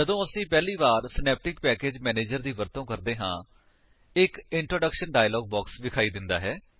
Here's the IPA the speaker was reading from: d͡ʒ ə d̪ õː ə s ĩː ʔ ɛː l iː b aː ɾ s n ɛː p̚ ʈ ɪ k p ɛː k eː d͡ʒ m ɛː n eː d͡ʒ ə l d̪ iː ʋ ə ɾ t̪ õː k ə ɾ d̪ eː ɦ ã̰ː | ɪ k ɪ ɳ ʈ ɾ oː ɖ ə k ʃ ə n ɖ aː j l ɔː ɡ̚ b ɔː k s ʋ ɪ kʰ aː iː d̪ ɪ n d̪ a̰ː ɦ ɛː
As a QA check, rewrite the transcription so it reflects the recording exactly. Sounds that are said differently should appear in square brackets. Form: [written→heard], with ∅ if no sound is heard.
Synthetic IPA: d͡ʒ ə d̪ õː ə s ĩː [ʔ→p] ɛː l iː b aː ɾ s n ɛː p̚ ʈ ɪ k p ɛː k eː d͡ʒ m ɛː n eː d͡ʒ ə [l→ɾ] d̪ iː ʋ ə ɾ t̪ õː k ə ɾ d̪ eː ɦ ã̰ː | ɪ k ɪ ɳ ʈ ɾ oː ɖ ə k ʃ ə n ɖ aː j l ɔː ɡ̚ b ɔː k s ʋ ɪ kʰ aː iː d̪ ɪ n d̪ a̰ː ɦ ɛː